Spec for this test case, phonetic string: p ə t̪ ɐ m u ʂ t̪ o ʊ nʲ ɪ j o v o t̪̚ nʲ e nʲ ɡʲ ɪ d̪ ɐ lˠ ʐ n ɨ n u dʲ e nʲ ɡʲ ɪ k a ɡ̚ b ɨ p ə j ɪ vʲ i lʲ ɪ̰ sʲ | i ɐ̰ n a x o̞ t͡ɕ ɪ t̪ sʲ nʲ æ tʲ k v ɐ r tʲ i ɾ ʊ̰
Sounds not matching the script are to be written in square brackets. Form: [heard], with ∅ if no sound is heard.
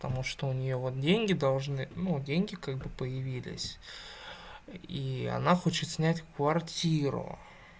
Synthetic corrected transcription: p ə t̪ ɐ m u ʂ t̪ o ʊ nʲ ɪ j o v o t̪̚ [dʲ] e nʲ ɡʲ ɪ d̪ ɐ lˠ ʐ n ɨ n u dʲ e nʲ ɡʲ ɪ k a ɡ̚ b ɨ p ə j ɪ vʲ i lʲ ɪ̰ sʲ | i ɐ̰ n a x o̞ t͡ɕ ɪ t̪ sʲ nʲ æ tʲ k v ɐ r tʲ i ɾ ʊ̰